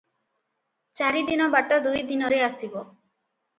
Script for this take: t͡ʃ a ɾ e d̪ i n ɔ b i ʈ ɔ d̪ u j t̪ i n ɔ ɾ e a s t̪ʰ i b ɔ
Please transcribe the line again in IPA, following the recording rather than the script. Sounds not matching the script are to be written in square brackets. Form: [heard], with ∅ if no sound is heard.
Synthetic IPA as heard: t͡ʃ a ɾ [i] d̪ i n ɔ b [a] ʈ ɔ d̪ u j [d̪] i n ɔ ɾ e a s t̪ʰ i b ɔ